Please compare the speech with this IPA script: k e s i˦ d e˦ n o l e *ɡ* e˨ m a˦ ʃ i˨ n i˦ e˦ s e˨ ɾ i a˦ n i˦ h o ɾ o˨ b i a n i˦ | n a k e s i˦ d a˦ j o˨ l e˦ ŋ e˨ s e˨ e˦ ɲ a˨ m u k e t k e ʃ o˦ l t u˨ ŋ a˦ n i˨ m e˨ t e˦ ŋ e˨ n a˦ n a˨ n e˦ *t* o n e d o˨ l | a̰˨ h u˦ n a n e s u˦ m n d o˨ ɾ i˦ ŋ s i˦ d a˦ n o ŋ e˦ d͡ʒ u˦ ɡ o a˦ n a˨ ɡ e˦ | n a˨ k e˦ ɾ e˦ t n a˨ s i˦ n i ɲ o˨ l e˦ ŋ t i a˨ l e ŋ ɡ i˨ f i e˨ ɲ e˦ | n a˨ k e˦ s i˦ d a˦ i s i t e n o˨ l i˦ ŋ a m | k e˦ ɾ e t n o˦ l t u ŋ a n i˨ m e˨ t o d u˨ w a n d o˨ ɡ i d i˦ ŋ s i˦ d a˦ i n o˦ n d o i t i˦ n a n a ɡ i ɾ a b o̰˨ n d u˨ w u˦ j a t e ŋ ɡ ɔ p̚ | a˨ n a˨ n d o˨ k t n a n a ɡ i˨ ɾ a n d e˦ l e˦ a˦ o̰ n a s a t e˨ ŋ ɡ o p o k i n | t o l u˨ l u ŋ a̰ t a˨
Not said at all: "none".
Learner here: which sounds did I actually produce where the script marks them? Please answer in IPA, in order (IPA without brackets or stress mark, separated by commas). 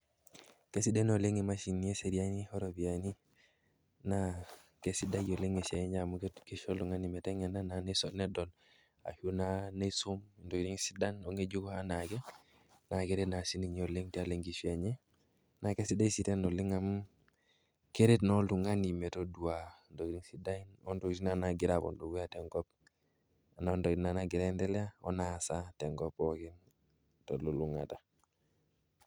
ŋ, s